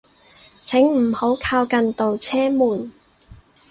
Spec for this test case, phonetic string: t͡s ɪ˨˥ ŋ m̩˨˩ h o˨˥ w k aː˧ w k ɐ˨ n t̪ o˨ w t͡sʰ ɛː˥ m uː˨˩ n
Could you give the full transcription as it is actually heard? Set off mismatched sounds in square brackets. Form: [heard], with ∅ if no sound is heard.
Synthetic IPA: [t͡sʰ] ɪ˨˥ ŋ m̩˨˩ h o˨˥ w [kʰ] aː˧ w k ɐ˨ n t̪ o˨ w t͡sʰ ɛː˥ m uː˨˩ n